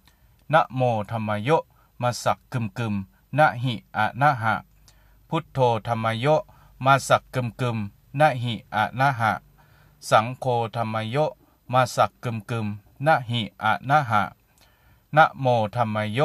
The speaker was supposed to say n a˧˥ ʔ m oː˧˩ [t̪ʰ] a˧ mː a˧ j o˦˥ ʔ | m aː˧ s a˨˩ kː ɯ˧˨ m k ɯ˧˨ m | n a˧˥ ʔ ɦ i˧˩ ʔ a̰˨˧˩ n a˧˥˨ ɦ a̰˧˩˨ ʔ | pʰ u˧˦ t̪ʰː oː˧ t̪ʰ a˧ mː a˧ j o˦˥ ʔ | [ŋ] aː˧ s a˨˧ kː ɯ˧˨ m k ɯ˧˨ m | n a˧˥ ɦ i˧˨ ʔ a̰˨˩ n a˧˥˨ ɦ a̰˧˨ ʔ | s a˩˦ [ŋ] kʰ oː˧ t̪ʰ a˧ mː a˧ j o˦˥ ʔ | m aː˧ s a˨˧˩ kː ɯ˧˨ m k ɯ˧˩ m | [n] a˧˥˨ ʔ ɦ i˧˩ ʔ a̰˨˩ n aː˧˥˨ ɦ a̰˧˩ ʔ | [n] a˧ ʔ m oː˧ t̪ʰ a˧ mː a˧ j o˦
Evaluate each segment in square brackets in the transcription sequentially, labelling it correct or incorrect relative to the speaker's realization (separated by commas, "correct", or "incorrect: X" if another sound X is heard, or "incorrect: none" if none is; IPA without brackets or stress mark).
correct, incorrect: m, correct, correct, correct